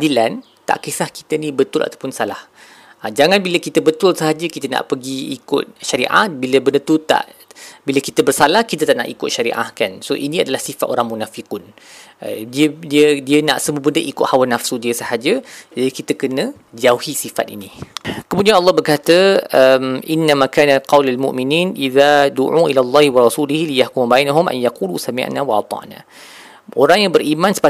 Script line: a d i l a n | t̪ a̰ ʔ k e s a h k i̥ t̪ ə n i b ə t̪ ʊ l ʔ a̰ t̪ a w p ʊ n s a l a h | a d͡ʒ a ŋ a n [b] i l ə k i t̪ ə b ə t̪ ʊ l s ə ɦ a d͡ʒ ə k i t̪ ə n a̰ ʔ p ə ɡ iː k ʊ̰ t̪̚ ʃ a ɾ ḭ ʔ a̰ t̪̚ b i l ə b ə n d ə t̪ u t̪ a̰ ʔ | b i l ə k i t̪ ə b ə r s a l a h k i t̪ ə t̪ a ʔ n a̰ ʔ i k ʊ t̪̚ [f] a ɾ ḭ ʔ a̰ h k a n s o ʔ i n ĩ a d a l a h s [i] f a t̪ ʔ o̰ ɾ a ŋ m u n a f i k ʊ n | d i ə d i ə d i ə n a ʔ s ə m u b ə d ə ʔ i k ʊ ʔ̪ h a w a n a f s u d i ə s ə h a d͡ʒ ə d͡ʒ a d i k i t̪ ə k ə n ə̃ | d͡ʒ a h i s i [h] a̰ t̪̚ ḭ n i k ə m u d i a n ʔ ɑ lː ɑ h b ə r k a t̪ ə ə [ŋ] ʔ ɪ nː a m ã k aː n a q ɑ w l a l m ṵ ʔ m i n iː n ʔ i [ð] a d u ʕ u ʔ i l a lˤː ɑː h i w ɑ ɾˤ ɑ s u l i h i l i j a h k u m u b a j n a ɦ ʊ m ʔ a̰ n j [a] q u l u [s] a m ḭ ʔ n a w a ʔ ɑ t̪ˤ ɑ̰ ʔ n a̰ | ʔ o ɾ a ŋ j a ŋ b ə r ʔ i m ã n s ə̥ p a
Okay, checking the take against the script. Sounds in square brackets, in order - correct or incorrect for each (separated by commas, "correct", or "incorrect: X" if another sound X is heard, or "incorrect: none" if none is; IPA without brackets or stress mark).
correct, incorrect: ʃ, correct, incorrect: f, incorrect: m, correct, correct, correct